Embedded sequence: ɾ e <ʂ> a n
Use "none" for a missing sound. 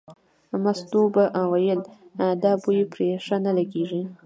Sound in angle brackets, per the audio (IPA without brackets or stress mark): ʂ